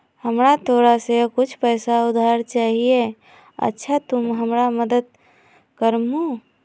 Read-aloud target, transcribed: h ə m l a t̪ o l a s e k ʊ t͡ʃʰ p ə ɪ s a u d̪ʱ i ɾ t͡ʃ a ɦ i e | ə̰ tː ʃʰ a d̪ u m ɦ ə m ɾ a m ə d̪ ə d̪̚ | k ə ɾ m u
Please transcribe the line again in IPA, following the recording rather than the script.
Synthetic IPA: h ə m ɾ a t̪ o ɾ a s e k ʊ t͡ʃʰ p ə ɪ s a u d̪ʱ a ɾ t͡ʃ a ɦ i e | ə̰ tː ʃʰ a t̪ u m ɦ ə m ɾ a m ə d̪ ə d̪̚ | k ə ɾ m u